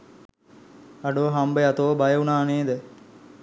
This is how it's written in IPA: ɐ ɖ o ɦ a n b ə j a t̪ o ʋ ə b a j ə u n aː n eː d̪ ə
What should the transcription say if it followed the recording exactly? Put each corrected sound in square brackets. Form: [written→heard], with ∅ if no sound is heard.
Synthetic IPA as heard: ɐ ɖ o ɦ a [n→m] b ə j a t̪ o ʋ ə b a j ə u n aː n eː d̪ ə